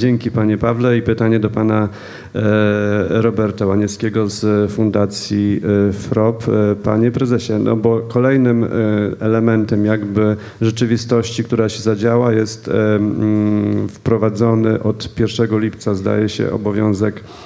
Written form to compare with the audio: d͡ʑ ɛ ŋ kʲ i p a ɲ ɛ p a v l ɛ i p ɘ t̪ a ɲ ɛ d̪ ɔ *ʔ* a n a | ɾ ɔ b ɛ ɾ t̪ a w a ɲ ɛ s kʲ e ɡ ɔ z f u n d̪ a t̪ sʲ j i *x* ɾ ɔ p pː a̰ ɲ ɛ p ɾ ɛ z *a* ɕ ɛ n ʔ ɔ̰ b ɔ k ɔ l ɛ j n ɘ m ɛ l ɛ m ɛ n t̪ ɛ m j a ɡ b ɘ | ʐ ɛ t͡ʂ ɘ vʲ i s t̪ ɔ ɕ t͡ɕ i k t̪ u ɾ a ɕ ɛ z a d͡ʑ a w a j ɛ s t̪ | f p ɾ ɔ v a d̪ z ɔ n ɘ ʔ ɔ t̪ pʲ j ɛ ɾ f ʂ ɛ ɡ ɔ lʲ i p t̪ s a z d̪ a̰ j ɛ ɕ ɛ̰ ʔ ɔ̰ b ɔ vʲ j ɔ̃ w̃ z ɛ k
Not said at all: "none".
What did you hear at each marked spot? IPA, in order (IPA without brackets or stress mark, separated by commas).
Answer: p, f, ɛ